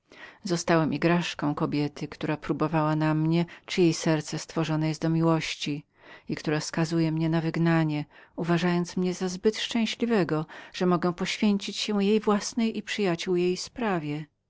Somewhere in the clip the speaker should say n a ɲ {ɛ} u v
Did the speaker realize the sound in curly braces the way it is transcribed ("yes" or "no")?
yes